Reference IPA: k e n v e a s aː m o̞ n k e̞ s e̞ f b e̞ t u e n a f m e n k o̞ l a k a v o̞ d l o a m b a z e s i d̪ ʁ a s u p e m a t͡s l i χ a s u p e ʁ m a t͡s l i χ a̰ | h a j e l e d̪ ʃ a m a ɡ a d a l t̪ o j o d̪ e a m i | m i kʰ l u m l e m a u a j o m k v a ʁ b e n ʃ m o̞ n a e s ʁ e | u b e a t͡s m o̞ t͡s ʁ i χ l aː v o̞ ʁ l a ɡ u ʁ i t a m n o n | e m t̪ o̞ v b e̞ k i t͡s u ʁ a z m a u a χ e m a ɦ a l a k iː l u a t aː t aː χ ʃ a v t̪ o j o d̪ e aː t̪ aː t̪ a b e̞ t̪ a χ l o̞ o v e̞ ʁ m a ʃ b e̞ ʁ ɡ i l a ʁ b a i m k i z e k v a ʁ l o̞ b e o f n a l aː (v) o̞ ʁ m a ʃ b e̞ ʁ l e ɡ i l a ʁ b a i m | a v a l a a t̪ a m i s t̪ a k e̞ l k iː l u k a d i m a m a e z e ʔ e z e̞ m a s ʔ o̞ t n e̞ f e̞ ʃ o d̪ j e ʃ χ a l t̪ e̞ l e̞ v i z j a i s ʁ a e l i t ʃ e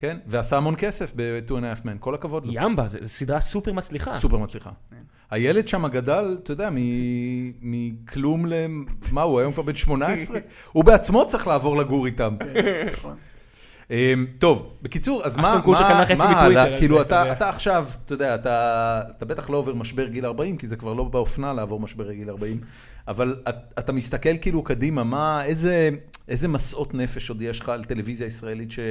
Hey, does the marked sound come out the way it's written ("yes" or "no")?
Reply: yes